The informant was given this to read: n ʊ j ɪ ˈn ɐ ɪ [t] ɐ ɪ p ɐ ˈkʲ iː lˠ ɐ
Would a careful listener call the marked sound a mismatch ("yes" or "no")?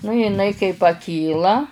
yes